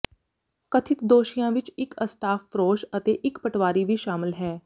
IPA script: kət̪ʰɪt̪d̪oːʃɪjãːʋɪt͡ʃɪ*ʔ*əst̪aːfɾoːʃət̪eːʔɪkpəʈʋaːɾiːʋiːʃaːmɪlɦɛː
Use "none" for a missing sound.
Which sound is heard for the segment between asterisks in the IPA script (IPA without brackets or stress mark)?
k